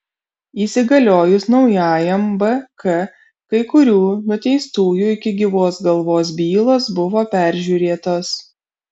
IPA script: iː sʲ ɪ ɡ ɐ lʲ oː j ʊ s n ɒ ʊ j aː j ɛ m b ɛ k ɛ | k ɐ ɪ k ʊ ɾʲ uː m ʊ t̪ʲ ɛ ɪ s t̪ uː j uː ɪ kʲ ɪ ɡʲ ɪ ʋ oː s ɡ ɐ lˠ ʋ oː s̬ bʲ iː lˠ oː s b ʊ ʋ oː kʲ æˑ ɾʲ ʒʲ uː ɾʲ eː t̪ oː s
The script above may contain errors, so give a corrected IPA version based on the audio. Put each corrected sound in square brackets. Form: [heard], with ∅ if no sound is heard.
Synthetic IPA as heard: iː sʲ ɪ ɡ ɐ lʲ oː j ʊ s n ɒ ʊ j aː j ɛ m b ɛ k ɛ | k ɐ ɪ k ʊ ɾʲ uː [n] ʊ t̪ʲ ɛ ɪ s t̪ uː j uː ɪ kʲ ɪ ɡʲ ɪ ʋ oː s ɡ ɐ lˠ ʋ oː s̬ bʲ iː lˠ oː s b ʊ ʋ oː [pʲ] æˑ ɾʲ ʒʲ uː ɾʲ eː t̪ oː s